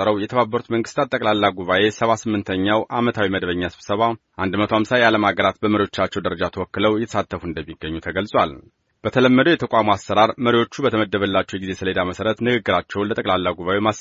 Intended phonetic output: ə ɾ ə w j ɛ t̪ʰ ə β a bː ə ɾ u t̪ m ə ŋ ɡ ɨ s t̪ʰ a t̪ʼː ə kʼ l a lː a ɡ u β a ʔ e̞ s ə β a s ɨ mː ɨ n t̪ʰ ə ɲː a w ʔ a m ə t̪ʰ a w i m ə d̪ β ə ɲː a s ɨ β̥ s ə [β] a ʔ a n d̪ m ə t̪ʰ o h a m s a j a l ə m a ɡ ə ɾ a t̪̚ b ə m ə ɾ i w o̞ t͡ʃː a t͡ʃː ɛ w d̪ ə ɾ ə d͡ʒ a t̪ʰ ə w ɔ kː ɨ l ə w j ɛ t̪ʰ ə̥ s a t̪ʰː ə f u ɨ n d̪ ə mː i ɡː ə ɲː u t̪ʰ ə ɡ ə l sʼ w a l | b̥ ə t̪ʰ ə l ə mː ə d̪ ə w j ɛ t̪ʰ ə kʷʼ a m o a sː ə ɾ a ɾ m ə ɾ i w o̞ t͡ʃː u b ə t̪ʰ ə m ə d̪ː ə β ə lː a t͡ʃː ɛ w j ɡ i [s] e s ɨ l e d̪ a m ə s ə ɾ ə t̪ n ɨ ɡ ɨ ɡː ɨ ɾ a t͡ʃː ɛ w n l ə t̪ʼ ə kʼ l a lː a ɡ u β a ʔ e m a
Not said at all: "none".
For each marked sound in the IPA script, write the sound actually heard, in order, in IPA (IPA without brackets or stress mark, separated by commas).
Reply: β, z